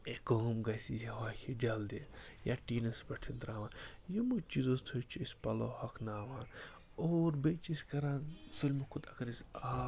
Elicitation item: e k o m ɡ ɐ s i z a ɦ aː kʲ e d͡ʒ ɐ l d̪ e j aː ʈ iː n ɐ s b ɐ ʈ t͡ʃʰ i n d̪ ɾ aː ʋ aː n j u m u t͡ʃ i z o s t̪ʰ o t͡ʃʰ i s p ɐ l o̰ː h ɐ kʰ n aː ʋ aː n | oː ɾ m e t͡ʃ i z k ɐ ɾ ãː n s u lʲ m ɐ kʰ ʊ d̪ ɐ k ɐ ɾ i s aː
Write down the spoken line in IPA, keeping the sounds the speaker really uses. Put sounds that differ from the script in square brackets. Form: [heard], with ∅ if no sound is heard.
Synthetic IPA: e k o m ɡ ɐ s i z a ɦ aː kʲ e d͡ʒ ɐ l d̪ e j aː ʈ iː n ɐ s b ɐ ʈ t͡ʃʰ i n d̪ ɾ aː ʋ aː n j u m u t͡ʃ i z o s t̪ʰ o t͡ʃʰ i s p ɐ l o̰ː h ɐ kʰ n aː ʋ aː n | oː ɾ [b] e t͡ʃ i [s] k ɐ ɾ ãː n s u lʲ m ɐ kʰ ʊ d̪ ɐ k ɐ ɾ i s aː